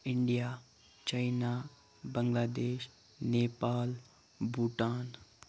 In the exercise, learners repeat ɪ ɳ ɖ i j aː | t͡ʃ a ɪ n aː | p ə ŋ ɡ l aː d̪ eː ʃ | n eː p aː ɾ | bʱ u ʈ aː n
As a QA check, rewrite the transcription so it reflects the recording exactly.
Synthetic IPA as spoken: ɪ ɳ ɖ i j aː | t͡ʃ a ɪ n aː | b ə ŋ ɡ l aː d̪ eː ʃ | n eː p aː l | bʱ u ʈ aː n